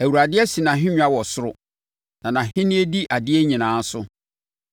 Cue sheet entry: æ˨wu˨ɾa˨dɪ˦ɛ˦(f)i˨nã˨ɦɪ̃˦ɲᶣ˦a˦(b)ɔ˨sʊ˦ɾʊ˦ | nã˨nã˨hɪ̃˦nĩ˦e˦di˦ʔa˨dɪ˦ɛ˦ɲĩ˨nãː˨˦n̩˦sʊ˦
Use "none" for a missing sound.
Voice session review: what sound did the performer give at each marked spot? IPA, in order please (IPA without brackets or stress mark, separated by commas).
s, w